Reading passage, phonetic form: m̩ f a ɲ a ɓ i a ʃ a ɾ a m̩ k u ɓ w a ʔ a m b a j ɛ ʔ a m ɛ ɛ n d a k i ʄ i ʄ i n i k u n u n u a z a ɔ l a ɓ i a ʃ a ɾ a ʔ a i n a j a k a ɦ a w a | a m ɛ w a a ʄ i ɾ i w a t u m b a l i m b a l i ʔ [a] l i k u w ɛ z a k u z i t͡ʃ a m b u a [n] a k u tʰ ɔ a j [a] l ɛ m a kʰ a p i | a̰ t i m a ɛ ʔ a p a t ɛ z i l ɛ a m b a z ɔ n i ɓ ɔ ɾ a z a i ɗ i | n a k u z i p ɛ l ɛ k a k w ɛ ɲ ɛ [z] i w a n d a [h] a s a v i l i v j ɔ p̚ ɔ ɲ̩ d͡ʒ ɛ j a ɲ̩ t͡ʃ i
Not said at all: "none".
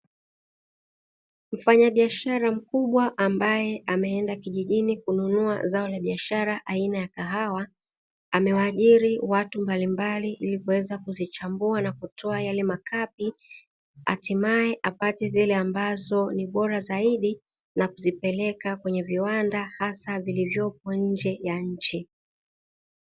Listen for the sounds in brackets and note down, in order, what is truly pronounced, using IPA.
i, n, a, v, h

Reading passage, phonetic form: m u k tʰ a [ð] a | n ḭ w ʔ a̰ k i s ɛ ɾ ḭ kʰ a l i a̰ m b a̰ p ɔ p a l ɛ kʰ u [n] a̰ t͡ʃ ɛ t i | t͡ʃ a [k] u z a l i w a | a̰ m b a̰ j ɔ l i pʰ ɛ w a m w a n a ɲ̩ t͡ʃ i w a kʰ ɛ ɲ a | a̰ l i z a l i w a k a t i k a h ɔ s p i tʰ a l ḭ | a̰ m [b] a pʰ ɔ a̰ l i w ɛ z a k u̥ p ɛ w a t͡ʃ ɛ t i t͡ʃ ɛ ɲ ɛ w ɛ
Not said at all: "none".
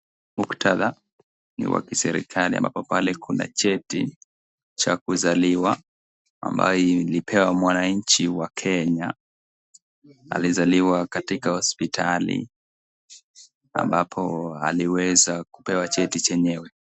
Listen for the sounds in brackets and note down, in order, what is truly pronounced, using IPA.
ð, n, k, b

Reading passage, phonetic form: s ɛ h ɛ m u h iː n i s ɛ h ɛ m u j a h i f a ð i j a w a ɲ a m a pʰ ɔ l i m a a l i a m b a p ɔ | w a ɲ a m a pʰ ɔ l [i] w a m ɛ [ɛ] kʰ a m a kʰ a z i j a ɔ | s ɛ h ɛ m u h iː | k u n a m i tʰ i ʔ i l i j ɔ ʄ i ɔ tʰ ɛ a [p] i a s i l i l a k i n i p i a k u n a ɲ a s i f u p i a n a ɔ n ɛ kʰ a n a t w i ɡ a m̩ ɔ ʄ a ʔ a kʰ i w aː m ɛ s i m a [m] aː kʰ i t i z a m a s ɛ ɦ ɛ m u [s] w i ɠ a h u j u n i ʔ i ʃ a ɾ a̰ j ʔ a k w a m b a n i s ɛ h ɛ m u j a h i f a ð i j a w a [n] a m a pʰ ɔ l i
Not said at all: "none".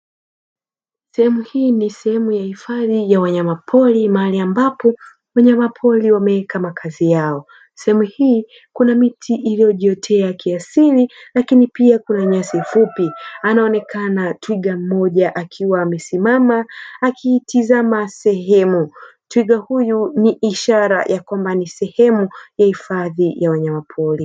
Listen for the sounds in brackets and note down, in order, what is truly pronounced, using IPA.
i, ɛ, k, m, t, ɲ

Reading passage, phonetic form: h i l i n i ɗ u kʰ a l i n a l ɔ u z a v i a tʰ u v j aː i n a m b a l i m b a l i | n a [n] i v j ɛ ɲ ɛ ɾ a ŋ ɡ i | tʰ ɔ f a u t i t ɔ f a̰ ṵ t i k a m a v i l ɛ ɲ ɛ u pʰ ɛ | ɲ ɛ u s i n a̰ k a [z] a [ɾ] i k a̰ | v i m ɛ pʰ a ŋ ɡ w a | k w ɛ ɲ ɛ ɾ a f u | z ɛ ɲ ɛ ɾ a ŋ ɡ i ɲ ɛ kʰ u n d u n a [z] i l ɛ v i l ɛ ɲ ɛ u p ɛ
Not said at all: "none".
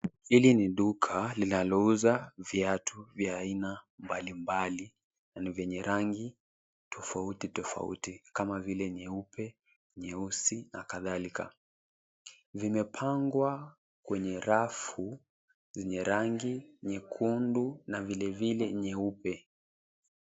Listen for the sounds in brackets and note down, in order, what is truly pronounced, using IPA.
n, ð, l, v

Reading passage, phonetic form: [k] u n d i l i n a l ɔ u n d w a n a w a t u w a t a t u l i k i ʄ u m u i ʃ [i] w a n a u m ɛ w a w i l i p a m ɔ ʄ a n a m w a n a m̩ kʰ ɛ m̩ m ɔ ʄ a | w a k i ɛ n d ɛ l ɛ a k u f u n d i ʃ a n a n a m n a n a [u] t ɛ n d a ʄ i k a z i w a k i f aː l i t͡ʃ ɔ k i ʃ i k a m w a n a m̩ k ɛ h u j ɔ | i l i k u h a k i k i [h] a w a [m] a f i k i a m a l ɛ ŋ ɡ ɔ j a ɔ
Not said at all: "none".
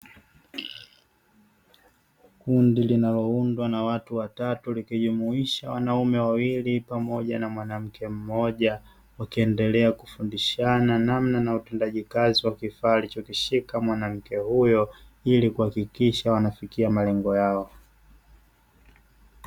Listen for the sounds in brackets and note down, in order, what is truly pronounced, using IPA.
k, a, u, ʃ, n

